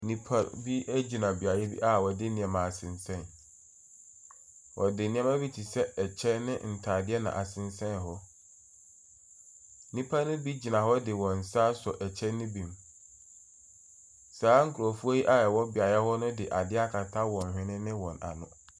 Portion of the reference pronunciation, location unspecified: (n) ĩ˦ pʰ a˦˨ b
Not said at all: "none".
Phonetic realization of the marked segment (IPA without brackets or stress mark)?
n